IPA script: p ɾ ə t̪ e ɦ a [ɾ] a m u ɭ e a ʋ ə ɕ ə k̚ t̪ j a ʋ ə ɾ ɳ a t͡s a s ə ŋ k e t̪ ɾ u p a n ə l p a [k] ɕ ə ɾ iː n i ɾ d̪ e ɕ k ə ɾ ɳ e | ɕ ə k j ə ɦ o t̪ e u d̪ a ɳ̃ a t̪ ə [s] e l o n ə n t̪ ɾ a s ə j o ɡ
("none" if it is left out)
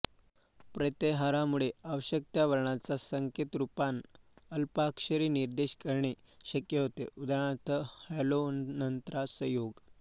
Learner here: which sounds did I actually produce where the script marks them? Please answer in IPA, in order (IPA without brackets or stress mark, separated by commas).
ɾ, k, h